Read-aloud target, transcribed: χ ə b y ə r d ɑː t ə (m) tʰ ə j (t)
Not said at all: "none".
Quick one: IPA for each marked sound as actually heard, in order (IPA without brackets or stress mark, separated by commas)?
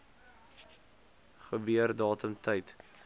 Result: m, t